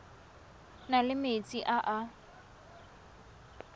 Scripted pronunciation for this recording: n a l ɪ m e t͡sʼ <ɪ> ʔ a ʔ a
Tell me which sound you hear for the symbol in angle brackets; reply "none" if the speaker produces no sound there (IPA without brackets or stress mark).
i